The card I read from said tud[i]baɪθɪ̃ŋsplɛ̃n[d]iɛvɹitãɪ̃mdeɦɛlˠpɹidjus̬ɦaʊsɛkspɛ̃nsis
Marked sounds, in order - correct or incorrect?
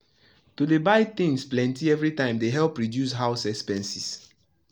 incorrect, incorrect

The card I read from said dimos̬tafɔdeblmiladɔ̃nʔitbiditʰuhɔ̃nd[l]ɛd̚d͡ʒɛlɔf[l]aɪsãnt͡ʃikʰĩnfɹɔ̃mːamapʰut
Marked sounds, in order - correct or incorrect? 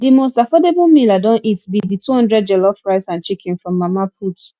incorrect, incorrect

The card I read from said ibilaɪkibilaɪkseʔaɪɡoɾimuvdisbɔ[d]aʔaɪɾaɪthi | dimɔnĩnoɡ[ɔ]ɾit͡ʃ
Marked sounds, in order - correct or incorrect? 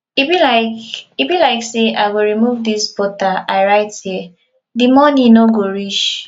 incorrect, incorrect

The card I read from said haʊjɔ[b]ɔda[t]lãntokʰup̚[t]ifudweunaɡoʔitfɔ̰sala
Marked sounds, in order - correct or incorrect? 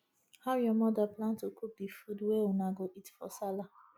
incorrect, incorrect, incorrect

